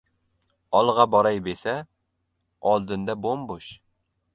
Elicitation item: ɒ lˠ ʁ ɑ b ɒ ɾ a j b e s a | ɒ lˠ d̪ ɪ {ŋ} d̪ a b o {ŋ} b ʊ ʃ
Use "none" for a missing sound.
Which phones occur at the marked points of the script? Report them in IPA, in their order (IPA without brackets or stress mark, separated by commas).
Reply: n, m